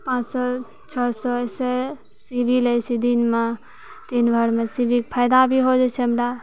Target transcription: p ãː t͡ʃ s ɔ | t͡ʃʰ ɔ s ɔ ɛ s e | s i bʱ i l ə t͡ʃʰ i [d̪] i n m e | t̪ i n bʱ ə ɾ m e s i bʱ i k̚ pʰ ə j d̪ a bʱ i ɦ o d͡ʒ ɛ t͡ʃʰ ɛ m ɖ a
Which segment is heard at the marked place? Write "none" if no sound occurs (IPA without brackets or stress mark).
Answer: d̪